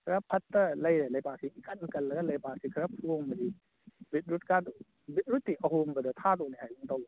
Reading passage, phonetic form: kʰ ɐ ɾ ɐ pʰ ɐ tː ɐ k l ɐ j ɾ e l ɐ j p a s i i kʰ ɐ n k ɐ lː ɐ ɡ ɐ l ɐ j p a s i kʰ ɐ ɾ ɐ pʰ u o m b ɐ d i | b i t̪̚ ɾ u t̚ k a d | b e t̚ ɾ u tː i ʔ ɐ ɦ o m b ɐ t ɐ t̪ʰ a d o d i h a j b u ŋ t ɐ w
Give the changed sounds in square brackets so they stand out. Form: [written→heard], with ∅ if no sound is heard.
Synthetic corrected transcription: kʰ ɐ ɾ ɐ pʰ ɐ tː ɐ [k→∅] l ɐ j ɾ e l ɐ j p a s i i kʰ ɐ n k ɐ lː ɐ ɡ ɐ l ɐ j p a s i kʰ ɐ ɾ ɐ pʰ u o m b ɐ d i | b i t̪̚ ɾ u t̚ k a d | b [e→i] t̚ ɾ u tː i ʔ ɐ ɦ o m b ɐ [t→d] ɐ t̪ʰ a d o [d→n] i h a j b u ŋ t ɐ w